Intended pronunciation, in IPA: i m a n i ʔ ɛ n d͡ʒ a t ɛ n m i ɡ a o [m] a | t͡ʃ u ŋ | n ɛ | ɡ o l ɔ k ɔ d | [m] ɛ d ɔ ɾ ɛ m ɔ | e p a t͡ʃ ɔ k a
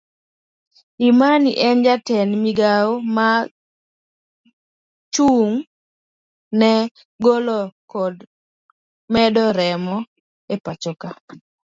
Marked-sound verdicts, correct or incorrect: correct, correct

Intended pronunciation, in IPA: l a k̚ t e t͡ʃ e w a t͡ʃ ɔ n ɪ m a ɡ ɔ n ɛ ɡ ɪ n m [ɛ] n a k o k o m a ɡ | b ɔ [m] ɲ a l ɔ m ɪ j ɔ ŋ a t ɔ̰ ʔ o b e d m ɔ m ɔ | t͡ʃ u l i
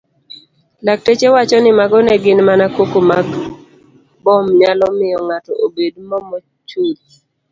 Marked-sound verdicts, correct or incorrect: incorrect, correct

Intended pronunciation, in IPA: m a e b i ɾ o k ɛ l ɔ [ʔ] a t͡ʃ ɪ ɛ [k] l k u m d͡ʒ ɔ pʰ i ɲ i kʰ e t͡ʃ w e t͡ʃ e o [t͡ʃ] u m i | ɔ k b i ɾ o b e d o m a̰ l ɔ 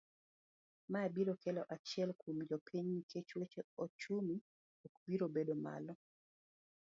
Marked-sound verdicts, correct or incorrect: correct, incorrect, correct

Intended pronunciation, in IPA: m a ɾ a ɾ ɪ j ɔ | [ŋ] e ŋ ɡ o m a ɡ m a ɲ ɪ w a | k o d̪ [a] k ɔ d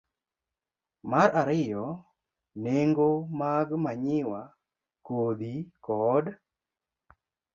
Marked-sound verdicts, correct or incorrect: incorrect, incorrect

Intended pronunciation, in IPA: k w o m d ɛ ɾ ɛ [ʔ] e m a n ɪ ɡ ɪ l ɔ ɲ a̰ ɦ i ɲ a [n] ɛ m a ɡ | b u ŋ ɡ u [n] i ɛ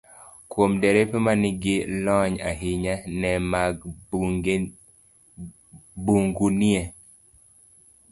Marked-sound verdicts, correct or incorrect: incorrect, correct, correct

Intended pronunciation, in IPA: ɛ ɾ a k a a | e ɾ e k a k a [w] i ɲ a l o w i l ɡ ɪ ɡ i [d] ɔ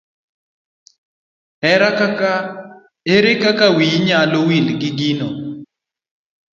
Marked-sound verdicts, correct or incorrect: correct, incorrect

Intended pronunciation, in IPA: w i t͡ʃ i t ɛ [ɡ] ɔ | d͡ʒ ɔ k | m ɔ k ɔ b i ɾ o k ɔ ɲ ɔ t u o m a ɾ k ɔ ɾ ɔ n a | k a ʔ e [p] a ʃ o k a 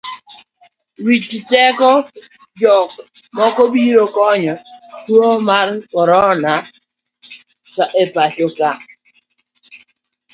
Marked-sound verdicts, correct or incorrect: incorrect, correct

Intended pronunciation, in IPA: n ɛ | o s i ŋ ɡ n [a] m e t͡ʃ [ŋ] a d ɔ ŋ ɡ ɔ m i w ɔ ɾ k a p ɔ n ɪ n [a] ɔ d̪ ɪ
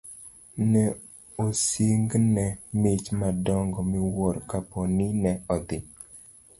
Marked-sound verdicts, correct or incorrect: incorrect, incorrect, incorrect

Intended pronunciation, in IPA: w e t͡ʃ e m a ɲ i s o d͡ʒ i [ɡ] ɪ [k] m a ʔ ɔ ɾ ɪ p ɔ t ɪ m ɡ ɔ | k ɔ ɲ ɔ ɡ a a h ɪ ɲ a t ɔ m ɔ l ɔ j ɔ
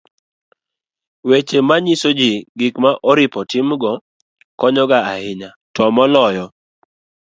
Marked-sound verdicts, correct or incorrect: correct, correct

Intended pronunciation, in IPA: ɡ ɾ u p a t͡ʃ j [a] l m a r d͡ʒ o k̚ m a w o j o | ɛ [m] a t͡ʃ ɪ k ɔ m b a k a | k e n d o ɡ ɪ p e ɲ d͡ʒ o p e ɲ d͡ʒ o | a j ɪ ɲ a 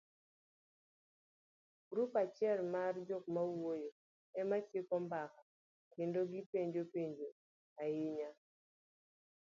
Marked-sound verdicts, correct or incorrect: incorrect, correct

